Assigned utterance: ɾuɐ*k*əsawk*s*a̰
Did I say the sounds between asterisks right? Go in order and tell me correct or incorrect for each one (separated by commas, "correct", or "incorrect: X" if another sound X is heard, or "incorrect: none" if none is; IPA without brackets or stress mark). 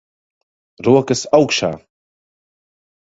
correct, incorrect: ʃ